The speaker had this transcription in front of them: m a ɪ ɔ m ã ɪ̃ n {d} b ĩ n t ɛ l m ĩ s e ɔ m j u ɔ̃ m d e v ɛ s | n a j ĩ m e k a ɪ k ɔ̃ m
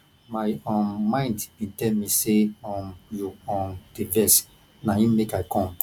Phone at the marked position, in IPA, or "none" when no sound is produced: d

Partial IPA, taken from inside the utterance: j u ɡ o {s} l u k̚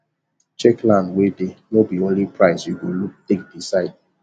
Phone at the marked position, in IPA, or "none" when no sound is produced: none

